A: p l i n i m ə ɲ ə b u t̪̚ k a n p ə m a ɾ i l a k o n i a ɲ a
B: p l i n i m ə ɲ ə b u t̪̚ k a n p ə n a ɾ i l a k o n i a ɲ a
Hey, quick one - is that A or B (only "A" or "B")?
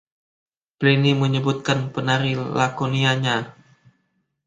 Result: B